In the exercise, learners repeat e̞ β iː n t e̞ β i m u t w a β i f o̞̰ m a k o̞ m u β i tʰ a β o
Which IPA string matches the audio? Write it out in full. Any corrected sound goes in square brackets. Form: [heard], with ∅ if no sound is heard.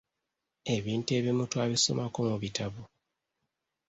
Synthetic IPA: e̞ β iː n t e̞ β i m u t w a β i [s] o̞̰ m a k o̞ m u β i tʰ a β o